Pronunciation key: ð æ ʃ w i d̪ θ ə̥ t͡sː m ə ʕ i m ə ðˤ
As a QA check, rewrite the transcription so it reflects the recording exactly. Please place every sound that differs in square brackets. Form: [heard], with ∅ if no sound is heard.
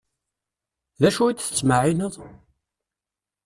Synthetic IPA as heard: ð æ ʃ [u] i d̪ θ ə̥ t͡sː m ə ʕ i [n] ə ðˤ